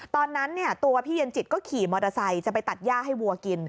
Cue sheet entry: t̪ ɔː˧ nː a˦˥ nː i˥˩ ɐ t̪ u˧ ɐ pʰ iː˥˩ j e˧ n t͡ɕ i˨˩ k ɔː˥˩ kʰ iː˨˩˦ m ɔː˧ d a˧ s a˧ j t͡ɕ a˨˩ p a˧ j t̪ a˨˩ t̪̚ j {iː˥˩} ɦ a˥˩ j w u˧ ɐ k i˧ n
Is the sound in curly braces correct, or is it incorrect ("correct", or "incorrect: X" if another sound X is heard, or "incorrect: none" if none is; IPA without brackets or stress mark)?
incorrect: aː˥˩